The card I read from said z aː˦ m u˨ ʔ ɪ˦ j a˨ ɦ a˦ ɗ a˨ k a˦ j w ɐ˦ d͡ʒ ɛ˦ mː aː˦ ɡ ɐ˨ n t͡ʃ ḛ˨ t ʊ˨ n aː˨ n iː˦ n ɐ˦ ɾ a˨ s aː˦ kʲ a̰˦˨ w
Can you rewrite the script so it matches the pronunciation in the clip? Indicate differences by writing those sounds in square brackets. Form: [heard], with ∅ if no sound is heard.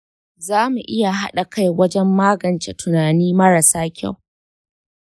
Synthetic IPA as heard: z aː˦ m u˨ ʔ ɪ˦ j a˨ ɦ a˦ ɗ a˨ k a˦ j w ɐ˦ d͡ʒ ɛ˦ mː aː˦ ɡ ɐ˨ n t͡ʃ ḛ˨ t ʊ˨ n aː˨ n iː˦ [m] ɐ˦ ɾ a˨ s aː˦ kʲ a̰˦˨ w